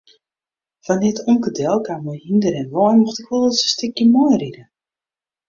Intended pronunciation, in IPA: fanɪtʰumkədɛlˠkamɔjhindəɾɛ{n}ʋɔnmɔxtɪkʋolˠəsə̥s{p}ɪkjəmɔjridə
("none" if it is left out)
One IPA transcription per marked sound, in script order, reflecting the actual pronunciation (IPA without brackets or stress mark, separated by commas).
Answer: n, t